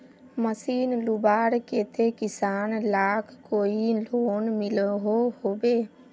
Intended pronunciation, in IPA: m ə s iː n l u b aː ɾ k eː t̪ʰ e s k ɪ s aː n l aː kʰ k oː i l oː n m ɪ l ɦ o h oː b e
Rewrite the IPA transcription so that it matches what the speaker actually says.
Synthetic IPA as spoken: m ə s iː n l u b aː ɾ k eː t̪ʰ e k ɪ s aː n l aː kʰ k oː i l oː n m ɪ l ɦ o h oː b e